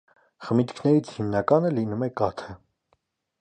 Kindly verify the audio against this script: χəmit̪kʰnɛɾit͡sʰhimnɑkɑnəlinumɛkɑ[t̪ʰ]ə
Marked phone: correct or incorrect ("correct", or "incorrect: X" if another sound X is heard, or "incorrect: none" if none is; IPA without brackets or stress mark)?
correct